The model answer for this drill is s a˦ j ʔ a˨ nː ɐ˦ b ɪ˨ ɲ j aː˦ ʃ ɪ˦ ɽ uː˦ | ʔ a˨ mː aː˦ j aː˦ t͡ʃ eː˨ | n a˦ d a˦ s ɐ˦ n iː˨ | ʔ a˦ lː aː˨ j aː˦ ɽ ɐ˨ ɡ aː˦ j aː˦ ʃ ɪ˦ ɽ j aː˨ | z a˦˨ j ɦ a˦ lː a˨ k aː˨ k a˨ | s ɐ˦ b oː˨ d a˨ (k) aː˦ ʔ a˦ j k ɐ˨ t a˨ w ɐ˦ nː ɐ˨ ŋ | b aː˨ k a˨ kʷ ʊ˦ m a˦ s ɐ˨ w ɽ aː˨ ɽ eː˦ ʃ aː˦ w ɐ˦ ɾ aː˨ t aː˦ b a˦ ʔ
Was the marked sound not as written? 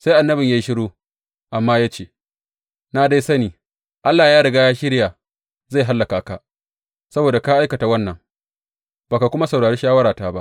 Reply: no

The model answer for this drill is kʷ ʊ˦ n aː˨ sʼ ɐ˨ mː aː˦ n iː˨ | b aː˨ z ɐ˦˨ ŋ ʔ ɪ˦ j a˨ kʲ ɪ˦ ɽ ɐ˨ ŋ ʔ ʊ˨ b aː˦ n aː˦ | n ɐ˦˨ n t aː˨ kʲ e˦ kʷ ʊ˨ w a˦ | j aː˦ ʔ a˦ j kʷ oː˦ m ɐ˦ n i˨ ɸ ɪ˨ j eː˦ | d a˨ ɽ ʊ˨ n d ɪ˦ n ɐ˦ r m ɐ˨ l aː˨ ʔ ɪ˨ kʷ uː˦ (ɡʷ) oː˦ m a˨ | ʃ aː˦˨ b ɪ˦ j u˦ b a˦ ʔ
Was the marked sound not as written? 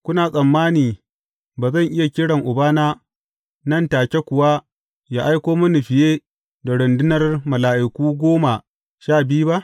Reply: no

